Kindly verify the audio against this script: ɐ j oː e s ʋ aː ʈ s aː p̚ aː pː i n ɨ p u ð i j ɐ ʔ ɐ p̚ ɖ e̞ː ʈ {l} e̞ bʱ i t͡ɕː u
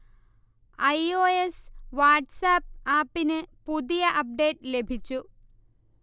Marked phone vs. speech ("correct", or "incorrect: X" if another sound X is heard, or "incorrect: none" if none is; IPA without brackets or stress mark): correct